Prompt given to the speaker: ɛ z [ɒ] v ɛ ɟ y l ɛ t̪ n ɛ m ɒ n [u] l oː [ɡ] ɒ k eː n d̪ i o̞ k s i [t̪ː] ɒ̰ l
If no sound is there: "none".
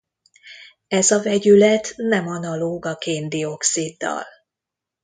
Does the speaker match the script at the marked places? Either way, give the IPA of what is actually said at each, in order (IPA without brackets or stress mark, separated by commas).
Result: ɒ, ɒ, ɡ, d̪ː